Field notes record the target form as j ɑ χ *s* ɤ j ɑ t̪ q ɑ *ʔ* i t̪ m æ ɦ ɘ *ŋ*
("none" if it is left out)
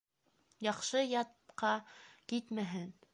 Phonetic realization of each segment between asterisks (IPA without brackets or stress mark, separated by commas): ʃ, k, n